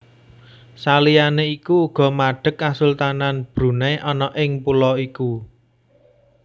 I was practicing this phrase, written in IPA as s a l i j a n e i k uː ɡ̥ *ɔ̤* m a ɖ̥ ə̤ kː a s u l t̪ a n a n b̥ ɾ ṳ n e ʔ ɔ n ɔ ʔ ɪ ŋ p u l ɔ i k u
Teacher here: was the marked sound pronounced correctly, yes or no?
yes